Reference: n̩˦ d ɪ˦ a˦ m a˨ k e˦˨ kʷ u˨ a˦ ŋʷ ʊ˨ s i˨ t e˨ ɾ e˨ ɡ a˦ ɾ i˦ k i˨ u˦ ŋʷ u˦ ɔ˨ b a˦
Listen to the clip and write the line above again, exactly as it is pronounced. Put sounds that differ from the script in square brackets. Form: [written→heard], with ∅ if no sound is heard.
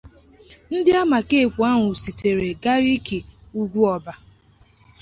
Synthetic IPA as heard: n̩˦ d ɪ˦ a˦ m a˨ k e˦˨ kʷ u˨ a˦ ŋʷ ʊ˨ s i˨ t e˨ ɾ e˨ ɡ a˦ ɾ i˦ k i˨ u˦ [ŋʷ→ɡʷ] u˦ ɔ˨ b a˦